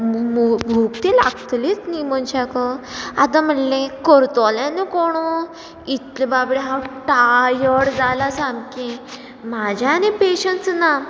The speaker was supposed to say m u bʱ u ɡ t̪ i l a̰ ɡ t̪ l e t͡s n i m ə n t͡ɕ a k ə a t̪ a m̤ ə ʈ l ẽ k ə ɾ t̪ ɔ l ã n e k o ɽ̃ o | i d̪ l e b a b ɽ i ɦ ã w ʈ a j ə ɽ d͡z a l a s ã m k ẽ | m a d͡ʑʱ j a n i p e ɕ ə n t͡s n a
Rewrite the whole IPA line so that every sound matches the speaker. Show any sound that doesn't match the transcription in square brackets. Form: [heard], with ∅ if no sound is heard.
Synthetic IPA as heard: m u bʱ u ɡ t̪ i l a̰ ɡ t̪ l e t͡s n i m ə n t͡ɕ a k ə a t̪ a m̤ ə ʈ l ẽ k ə ɾ t̪ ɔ l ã n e k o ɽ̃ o | i [t̪] l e b a b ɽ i ɦ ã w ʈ a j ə ɽ d͡z a l a s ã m k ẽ | m a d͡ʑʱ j a n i p e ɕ ə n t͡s n a